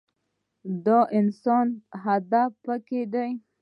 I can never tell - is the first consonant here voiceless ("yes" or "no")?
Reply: no